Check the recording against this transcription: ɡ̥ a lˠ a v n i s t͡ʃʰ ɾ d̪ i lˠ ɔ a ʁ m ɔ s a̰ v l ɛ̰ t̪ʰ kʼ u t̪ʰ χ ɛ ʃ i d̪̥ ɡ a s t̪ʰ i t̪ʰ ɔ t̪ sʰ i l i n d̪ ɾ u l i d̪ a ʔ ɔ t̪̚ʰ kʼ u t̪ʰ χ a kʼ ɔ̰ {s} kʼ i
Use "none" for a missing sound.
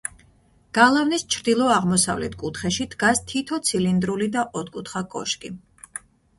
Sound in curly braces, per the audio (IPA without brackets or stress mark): ʃ